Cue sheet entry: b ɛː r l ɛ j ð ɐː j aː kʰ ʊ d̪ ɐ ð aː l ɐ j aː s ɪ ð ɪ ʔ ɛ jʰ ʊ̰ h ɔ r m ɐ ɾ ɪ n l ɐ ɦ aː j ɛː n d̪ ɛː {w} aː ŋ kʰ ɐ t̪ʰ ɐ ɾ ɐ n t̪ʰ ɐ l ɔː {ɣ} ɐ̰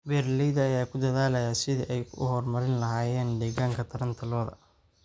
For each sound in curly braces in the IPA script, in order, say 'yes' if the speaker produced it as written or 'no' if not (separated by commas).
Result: no, no